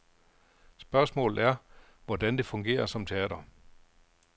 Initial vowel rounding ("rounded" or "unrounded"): rounded